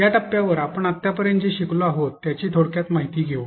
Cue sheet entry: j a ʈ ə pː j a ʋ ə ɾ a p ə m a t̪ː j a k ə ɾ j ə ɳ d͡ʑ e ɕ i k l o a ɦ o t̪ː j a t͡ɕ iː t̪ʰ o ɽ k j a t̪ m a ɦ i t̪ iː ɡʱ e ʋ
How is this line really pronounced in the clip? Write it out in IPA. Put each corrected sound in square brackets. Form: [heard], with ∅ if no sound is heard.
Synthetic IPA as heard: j a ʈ ə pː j a ʋ ə ɾ a p ə [ɳ] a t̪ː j a [p] ə ɾ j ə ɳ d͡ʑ e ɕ i k l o a ɦ o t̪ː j a t͡ɕ iː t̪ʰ o ɽ k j a t̪ m a ɦ i t̪ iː ɡʱ e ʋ